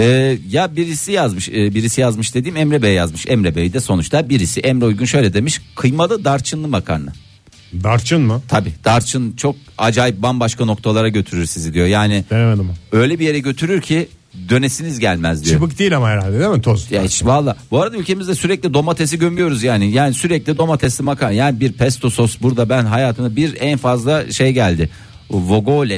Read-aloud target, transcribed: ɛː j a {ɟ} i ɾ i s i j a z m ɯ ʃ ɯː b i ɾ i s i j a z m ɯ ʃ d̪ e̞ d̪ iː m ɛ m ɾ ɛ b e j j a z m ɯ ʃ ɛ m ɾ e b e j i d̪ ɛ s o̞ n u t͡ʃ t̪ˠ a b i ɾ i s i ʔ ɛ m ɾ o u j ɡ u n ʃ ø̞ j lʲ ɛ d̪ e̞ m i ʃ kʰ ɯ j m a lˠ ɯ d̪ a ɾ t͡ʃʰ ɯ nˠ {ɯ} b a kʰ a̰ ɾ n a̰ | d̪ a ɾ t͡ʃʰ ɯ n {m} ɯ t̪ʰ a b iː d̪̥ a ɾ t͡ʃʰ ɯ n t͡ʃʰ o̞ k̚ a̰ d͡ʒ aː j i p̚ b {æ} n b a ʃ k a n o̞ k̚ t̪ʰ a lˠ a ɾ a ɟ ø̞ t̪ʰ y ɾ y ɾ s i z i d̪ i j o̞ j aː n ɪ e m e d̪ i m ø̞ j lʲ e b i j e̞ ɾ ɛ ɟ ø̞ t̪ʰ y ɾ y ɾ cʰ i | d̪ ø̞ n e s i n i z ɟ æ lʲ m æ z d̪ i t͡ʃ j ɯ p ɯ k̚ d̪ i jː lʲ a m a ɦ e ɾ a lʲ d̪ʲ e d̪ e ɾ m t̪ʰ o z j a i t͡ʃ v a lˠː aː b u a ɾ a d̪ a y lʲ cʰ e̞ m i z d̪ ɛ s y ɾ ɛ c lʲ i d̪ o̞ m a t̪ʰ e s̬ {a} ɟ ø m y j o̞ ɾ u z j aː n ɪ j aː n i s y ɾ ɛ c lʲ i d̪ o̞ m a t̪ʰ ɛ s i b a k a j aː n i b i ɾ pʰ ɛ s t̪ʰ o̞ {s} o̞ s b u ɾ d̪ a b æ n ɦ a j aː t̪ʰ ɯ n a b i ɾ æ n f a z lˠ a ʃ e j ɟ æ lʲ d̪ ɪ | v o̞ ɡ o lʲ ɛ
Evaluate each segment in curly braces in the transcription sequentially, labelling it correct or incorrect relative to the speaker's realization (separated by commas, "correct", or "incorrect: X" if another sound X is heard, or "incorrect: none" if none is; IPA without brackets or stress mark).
incorrect: b, correct, correct, incorrect: a, incorrect: i, correct